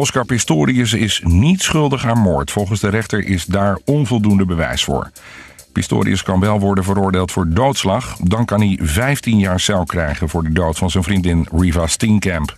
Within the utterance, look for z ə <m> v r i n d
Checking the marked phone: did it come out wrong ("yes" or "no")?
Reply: yes